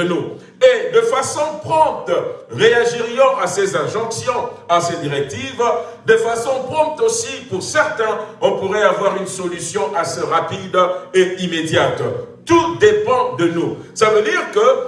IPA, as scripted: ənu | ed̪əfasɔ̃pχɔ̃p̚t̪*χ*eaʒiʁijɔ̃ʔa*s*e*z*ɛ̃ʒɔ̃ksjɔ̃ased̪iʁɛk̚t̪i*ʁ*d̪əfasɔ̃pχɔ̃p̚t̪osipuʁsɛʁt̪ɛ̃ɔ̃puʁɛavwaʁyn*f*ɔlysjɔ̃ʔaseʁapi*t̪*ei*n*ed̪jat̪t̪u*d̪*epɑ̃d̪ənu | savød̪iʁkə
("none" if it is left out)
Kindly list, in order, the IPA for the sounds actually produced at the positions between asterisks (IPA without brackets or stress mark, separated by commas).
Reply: ʁ, s, z, v, s, d̪, m, d̪